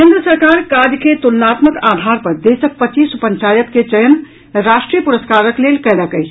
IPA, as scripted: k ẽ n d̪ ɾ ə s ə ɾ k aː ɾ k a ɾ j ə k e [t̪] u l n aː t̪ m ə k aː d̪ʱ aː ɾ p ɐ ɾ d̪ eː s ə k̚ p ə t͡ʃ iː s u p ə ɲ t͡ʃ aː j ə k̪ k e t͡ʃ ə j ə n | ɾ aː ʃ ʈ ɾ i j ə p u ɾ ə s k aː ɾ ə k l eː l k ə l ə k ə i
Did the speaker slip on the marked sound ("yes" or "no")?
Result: no